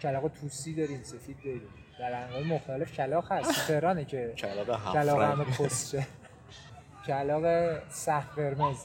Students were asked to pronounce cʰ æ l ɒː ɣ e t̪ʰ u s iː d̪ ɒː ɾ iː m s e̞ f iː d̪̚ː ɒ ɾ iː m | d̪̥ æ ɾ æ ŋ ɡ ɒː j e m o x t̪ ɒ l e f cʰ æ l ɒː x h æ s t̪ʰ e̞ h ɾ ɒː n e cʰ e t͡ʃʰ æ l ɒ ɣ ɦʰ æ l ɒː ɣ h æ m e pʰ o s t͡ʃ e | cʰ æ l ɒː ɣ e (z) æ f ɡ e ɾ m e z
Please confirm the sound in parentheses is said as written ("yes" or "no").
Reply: no